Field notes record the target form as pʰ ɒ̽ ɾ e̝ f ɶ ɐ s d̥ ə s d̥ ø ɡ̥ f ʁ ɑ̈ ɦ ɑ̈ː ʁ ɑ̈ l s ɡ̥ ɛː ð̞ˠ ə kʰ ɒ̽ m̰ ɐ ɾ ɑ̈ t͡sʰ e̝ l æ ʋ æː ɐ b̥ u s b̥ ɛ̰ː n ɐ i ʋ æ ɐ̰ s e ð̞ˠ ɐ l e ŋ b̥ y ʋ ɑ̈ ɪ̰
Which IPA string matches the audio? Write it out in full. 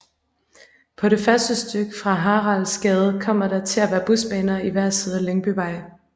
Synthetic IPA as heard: pʰ ɒ̽ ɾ e̝ f ɶ ɐ s d̥ ə s d̥ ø ɡ̥ f ʁ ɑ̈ ɦ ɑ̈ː ʁ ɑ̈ l s ɡ̥ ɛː ð̞ˠ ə kʰ ɒ̽ m̰ ɐ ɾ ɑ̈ t͡sʰ e̝ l æ ʋ æː ɐ b̥ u s b̥ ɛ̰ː n ɐ i ʋ æ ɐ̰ s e ð̞ˠ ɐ l e ŋ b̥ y ʋ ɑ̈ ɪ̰